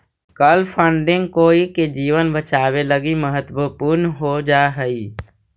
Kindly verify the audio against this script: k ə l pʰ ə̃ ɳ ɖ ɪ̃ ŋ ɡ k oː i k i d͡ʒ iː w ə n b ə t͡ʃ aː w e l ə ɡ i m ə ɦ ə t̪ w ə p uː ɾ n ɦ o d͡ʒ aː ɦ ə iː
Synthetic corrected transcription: k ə l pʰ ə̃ ɳ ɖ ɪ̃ ŋ ɡ k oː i k e d͡ʒ iː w ə n b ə t͡ʃ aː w e l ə ɡ i m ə ɦ ə t̪ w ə p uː ɾ n ɦ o d͡ʒ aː ɦ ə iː

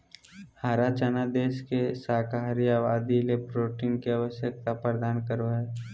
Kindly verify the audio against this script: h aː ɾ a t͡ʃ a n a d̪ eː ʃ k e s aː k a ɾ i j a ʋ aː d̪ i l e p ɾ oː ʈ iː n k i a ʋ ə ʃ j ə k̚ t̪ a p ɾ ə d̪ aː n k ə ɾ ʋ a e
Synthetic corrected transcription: h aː ɾ a t͡ʃ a n a d̪ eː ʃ k e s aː k a ɾ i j a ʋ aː d̪ i l e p ɾ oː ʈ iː n k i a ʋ ə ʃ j ə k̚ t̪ a p ɾ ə d̪ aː n k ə ɾ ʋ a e

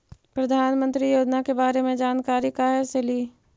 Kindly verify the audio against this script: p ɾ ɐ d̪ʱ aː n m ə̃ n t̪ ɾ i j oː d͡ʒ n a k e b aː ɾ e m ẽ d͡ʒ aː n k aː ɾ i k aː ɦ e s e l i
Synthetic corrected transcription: p ɾ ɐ d̪ʱ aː n m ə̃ n t̪ ɾ i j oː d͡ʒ n a k e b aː ɾ e m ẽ d͡ʒ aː n k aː ɾ i k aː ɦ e s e l i

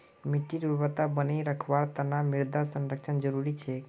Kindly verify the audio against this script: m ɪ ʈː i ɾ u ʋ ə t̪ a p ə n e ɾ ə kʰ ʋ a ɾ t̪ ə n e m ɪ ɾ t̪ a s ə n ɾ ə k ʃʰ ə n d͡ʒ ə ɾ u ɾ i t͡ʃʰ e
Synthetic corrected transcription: m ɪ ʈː i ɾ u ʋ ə t̪ a b ə n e ɾ ə kʰ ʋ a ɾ t̪ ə n a m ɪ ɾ d̪ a s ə n ɾ ə k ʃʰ ə n d͡ʒ ə ɾ u ɾ i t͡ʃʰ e

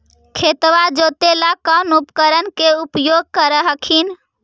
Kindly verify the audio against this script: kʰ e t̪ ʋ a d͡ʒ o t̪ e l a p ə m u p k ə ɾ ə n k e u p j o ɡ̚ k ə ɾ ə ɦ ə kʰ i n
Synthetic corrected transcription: kʰ e t̪ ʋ a d͡ʒ o t̪ e l a k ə n u p k ə ɾ ə n k e u p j o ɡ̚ k ə ɾ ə ɦ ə kʰ i n

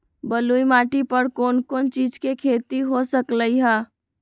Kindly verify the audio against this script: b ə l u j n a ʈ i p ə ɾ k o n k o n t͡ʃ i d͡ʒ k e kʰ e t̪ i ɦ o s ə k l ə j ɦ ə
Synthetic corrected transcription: b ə l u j m a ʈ i p ə ɾ k o n k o n t͡ʃ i d͡ʒ k e kʰ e t̪ i ɦ o s ə k l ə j ɦ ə

